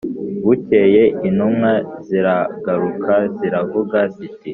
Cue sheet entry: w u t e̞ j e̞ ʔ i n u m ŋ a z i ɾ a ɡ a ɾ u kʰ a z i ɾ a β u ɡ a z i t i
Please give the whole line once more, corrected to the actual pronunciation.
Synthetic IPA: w u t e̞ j e̞ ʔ i n u m ŋ a z i ɾ a ɡ a ɾ u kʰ a z i ɾ a v u ɡ a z i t i